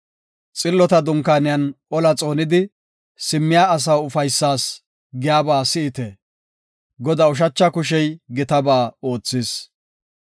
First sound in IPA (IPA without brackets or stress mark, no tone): t͡sʼ